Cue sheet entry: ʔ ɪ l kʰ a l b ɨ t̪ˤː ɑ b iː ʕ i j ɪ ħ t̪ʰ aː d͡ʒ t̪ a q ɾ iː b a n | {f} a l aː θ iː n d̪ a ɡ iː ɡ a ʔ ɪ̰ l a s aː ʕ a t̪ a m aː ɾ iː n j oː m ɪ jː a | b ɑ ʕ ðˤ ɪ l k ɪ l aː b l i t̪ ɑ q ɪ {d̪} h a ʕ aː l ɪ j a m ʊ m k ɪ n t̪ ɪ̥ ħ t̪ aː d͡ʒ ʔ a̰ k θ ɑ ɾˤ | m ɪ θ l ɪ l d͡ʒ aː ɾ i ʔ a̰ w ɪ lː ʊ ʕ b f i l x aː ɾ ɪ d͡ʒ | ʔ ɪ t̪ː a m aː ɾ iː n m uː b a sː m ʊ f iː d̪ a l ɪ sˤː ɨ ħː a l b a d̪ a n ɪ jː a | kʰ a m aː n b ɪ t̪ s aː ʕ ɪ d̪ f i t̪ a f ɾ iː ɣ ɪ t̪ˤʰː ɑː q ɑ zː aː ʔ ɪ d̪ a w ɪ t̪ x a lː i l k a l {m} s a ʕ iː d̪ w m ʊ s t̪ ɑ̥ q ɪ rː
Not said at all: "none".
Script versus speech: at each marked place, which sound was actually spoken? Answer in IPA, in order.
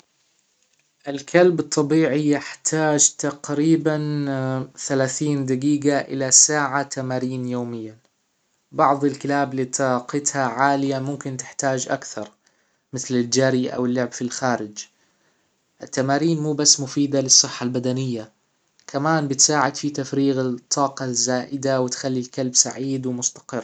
θ, t̪, b

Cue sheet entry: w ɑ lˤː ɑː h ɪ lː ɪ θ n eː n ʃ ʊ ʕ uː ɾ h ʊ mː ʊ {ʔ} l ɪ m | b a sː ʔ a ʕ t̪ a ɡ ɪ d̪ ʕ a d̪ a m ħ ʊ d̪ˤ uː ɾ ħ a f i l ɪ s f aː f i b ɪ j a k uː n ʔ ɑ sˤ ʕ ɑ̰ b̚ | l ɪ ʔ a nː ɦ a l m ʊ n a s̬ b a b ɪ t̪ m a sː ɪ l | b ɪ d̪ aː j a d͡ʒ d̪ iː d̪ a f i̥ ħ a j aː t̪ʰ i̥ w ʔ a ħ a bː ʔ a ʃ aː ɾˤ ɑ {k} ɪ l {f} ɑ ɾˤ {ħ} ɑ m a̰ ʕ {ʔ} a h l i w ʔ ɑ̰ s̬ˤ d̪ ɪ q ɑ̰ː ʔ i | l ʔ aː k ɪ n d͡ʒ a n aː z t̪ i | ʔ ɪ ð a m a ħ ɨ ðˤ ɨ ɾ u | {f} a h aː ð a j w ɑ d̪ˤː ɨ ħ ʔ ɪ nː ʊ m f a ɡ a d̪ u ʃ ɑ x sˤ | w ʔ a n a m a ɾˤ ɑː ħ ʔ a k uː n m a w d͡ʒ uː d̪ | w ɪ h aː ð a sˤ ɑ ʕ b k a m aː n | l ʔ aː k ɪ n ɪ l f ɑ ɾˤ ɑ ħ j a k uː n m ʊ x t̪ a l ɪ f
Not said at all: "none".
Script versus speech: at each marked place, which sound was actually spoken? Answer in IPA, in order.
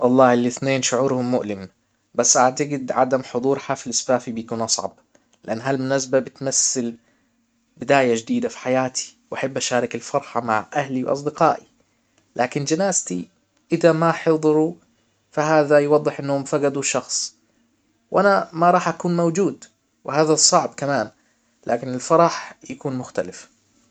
ʔ, k, f, ħ, ʔ, f

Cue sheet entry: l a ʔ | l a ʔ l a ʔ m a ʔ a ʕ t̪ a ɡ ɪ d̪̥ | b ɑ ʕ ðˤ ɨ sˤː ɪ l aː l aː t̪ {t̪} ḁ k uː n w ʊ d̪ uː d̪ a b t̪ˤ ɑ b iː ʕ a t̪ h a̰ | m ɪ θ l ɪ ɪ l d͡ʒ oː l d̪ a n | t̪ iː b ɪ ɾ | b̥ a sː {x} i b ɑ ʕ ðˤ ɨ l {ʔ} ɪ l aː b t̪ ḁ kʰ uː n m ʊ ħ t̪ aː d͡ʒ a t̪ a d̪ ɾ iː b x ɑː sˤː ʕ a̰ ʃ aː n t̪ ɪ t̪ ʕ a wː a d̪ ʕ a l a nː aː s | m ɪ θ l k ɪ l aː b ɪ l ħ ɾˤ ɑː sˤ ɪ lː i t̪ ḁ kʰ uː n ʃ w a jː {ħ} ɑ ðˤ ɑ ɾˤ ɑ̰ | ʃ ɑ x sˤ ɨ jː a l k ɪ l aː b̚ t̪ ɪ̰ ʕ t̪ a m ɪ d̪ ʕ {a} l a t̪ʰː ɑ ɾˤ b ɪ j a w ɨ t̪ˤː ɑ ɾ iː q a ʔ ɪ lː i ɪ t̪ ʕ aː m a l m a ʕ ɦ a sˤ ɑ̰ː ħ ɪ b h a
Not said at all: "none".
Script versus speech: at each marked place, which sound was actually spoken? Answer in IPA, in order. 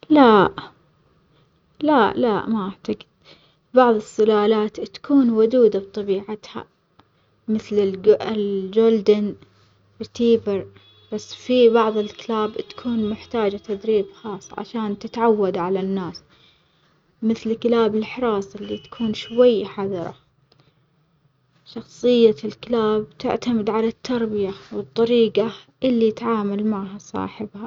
t̪, f, k, ħ, a

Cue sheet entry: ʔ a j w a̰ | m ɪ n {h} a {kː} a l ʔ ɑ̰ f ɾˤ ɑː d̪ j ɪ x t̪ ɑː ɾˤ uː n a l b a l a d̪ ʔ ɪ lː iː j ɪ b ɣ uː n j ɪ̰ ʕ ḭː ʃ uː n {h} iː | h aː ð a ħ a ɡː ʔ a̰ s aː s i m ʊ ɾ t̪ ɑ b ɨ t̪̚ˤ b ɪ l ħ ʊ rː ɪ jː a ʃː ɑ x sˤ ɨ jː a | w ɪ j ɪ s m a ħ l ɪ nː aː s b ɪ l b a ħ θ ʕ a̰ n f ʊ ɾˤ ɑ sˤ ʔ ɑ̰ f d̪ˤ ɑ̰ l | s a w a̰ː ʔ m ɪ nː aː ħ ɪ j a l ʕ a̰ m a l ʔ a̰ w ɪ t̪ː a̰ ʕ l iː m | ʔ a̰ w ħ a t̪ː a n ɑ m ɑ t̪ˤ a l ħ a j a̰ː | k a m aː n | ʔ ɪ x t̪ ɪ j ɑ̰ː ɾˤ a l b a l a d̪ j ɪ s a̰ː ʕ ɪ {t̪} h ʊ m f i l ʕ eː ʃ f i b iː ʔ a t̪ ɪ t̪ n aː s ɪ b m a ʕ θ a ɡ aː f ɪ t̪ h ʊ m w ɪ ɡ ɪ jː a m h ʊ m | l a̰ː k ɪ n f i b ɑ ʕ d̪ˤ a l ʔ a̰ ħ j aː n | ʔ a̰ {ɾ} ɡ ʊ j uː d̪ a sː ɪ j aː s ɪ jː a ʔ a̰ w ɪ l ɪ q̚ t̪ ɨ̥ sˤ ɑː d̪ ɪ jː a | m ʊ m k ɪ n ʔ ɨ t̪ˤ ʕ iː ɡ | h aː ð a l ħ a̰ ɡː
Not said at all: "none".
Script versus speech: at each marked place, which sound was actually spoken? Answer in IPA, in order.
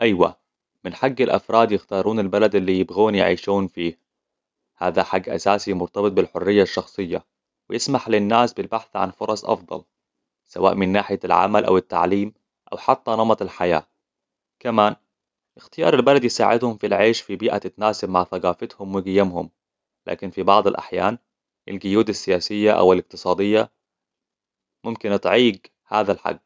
ħ, ɡː, f, d̪, l

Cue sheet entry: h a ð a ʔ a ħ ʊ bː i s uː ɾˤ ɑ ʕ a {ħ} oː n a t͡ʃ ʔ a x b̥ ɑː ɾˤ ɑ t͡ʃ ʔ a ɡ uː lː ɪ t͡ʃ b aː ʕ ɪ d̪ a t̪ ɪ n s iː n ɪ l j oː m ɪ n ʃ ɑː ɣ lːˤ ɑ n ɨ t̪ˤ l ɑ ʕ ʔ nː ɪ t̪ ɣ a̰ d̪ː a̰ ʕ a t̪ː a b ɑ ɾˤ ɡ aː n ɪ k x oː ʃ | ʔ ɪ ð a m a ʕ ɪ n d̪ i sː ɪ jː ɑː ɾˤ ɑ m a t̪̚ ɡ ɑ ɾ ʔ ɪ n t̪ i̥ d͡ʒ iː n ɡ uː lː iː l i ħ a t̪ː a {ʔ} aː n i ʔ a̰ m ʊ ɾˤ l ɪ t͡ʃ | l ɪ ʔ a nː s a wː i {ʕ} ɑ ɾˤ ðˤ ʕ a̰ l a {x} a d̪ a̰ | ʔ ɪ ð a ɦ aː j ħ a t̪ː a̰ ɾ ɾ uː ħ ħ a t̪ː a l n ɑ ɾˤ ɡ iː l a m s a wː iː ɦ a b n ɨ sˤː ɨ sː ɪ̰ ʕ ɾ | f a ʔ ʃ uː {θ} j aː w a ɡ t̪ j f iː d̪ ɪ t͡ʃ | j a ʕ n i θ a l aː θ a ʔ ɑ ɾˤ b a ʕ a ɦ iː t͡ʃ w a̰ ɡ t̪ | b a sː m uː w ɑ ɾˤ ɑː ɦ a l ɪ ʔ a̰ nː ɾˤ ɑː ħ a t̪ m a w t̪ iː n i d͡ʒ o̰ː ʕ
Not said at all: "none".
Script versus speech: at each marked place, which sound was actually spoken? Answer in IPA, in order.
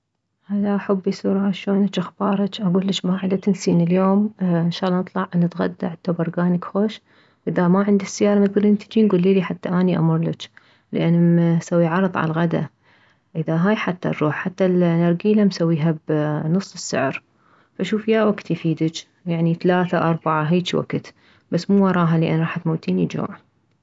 ʃ, ʔ, ʕ, ɣ, f

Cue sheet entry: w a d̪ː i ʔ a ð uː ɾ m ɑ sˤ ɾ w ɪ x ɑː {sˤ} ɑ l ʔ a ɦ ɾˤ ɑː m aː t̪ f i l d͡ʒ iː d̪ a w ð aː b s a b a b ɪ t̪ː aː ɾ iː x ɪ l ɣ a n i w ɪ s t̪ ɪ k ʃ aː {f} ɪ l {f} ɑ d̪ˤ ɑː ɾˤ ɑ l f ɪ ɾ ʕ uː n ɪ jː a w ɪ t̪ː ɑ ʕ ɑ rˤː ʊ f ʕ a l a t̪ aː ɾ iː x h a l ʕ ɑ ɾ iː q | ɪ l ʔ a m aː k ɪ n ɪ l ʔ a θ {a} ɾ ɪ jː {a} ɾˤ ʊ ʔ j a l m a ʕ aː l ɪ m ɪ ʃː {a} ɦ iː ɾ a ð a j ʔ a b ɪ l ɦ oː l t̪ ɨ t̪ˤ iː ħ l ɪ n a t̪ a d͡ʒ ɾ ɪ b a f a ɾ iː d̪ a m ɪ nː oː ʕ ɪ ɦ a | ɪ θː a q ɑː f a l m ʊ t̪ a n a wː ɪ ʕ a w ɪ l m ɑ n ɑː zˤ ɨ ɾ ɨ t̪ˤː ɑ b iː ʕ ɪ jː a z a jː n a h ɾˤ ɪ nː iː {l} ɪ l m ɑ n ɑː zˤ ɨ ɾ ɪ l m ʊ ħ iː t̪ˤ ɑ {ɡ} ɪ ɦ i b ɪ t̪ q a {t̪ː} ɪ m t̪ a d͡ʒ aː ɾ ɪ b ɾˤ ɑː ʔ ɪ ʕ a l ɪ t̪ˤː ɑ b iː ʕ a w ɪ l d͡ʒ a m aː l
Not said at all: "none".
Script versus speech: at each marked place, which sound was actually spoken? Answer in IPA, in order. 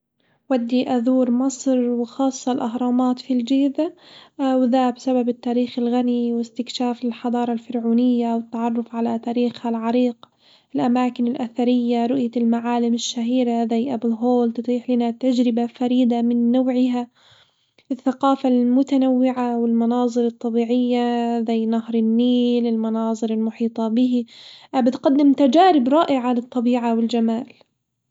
sˤː, f, ħ, a, a, a, l, b, d̪ː

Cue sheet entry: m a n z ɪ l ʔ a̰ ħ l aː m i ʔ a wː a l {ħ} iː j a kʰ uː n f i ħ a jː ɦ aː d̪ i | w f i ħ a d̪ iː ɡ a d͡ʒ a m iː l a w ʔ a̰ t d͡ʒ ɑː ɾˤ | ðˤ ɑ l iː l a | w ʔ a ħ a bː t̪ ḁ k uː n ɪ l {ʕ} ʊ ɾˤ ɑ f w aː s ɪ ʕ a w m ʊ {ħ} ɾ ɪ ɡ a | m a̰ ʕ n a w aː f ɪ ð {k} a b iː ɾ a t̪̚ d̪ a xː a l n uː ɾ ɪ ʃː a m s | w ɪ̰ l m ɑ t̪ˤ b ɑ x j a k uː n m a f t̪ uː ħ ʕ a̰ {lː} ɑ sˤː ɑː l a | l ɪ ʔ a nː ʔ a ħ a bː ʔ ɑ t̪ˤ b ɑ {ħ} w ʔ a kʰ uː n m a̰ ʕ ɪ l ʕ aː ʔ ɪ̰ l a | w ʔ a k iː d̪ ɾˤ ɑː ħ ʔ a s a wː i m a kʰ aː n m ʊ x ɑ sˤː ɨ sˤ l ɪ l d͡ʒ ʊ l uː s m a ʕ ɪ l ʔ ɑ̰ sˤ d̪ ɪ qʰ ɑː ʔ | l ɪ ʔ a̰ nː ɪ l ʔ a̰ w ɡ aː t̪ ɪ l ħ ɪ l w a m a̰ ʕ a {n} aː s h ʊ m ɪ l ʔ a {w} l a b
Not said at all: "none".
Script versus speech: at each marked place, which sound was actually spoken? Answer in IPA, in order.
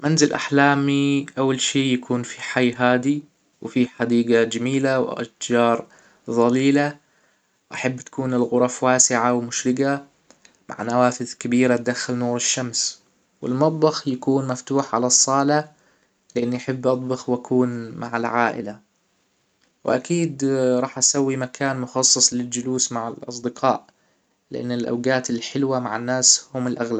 ʃ, ɣ, ʃ, k, l, x, nː, ɣ

